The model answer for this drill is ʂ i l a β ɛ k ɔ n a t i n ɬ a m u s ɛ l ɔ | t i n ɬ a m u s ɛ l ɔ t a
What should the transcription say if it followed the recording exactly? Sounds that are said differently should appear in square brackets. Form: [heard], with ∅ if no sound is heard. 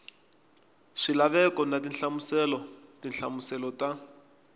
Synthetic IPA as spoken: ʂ i l a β ɛ k ɔ n a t i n ɬ a m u s ɛ l ɔ | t i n ɬ a m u s ɛ l ɔ t a